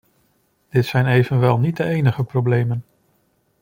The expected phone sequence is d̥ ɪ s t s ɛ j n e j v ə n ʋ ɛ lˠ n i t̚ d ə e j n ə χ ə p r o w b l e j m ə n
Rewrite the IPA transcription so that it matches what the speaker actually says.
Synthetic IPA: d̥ ɪ t s ɛ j n e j v ə n ʋ ɛ lˠ n i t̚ d ə e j n ə χ ə p r o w b l e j m ə n